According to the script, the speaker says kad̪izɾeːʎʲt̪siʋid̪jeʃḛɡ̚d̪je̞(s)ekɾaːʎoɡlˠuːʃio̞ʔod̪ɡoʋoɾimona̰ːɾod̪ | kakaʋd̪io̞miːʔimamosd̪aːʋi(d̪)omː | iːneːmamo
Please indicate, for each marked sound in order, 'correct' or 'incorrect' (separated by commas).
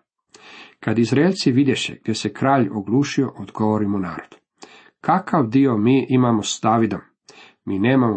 correct, correct